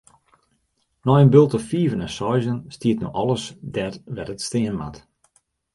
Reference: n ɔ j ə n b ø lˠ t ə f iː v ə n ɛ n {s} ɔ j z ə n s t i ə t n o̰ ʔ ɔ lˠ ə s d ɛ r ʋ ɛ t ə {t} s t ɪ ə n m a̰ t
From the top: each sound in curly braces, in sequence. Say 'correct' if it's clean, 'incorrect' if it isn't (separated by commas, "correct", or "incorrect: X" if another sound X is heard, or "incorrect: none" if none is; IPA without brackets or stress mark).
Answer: correct, correct